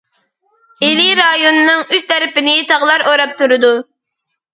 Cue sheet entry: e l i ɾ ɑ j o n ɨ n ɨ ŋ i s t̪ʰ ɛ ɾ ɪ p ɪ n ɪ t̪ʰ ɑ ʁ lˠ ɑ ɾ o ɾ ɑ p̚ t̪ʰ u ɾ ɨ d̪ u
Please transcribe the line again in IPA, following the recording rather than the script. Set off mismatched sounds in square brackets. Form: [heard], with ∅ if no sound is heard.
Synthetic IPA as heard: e l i ɾ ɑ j o n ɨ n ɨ ŋ [y] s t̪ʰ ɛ ɾ ɪ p ɪ n ɪ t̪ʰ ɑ ʁ lˠ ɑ ɾ o ɾ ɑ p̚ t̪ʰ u ɾ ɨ d̪ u